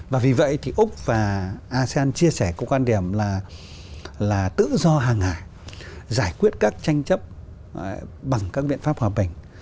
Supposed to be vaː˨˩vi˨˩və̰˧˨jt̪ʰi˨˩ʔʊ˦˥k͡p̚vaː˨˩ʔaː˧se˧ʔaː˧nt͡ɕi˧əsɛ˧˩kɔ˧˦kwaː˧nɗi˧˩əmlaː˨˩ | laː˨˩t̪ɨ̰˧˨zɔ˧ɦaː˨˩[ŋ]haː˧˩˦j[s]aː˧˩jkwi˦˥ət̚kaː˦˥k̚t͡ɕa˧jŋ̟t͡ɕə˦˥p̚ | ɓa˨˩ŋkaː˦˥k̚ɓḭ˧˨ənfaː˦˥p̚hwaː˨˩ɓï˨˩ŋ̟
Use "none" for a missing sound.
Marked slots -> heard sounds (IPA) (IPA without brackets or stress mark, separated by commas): ŋ, z